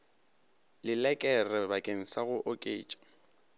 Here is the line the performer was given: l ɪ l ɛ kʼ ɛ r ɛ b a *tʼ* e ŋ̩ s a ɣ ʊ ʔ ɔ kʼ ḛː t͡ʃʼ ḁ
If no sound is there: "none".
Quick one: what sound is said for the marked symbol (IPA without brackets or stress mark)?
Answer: kʼ